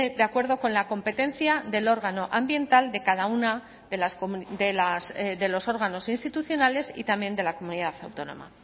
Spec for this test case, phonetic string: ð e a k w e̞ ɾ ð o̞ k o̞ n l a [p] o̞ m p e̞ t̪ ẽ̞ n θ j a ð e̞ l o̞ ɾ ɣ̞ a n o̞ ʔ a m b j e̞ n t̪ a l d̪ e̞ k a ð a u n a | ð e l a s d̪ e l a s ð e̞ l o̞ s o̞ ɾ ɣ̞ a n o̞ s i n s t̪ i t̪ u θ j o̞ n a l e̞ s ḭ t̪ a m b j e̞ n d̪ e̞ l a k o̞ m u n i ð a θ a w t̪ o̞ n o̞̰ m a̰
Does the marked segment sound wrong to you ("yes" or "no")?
yes